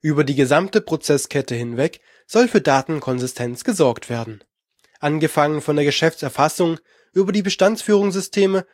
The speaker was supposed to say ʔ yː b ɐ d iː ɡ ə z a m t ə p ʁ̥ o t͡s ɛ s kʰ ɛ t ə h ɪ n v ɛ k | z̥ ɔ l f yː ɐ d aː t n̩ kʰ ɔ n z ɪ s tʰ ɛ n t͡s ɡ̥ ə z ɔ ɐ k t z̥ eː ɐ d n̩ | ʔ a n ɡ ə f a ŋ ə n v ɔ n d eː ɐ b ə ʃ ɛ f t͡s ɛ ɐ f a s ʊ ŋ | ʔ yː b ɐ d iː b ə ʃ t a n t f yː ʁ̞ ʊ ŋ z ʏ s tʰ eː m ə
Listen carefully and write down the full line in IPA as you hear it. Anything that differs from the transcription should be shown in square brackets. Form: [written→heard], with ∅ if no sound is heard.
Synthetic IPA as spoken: ʔ yː b ɐ d iː ɡ ə z a m t ə p ʁ̥ o t͡s ɛ s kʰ ɛ t ə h ɪ n v ɛ k | z̥ ɔ l f yː ɐ d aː t n̩ kʰ ɔ n z ɪ s tʰ ɛ n t͡s ɡ̥ ə z ɔ ɐ k t [z̥→v̥] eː ɐ d n̩ | ʔ a n ɡ ə f a ŋ ə n [v→f] ɔ n d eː ɐ [b→ɡ] ə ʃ ɛ f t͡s ɛ ɐ f a s ʊ ŋ | ʔ yː b ɐ d iː b ə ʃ t a n [t→t͡s] f yː ʁ̞ ʊ ŋ z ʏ s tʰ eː m ə